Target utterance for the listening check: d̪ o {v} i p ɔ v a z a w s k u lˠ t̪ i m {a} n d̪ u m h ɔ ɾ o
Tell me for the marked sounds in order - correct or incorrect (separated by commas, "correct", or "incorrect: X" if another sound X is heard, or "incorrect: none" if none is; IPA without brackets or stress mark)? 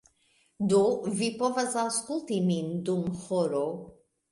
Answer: correct, incorrect: i